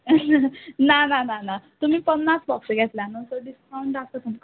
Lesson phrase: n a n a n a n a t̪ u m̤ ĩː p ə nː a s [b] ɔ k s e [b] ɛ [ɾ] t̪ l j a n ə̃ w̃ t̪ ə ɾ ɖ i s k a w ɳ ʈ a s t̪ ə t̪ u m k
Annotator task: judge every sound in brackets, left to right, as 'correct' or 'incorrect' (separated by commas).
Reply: correct, incorrect, incorrect